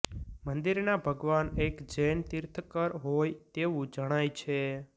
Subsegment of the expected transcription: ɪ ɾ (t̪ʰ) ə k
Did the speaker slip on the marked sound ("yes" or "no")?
no